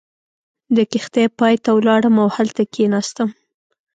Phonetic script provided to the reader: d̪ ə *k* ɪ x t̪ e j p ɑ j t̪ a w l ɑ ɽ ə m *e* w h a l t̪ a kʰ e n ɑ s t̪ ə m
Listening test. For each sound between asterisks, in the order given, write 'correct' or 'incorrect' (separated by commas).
correct, incorrect